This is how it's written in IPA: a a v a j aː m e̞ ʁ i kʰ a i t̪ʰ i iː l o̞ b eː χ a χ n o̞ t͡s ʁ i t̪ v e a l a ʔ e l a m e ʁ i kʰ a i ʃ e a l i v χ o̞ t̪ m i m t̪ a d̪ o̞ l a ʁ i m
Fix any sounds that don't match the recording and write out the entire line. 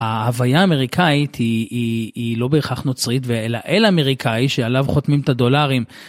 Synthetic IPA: a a v a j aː m e̞ ʁ i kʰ a i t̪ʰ i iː l o̞ b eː χ a χ n o̞ t͡s ʁ i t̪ v e e l a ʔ e l a m e ʁ i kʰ a i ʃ e a l a v χ o̞ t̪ m i m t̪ a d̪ o̞ l a ʁ i m